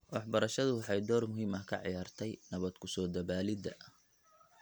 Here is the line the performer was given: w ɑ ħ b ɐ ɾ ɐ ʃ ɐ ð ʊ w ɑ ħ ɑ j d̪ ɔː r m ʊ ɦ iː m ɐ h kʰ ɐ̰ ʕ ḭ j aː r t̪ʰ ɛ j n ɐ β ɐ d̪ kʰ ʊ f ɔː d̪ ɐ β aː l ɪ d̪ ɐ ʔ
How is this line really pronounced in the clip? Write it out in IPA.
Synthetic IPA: w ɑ ħ b ɐ ɾ ɐ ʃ ɐ ð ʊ w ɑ ħ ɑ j d̪ ɔː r m ʊ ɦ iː m ɐ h kʰ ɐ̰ ʕ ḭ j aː r t̪ʰ ɛ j n ɐ β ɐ d̪ kʰ ʊ s ɔː d̪ ɐ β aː l ɪ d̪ ɐ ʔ